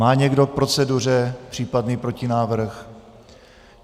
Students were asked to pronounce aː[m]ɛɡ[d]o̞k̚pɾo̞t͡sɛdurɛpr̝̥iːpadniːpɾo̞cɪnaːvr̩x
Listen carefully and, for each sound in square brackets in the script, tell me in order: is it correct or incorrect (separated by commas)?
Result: incorrect, correct